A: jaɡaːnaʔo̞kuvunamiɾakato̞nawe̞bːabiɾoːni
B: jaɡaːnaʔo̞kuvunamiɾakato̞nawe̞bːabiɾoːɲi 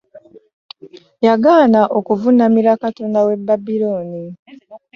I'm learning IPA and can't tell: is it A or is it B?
A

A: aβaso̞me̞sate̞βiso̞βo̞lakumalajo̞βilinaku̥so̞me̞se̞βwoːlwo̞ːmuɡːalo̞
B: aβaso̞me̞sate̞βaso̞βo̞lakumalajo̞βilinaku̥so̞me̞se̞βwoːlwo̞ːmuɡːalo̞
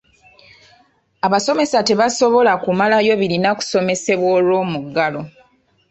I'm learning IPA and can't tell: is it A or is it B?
B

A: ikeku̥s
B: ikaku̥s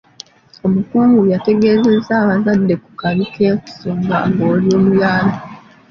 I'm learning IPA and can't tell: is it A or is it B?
A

